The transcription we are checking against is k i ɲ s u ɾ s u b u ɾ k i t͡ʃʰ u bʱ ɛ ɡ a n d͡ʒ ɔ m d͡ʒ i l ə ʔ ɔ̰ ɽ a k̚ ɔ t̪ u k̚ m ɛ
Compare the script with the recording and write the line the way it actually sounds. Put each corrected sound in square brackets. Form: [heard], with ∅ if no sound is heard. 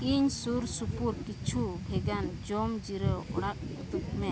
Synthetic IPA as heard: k i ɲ s u ɾ s u [p] u ɾ k i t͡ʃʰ u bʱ ɛ ɡ a n d͡ʒ ɔ m d͡ʒ i [ɾ] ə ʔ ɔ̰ ɽ a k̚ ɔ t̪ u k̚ m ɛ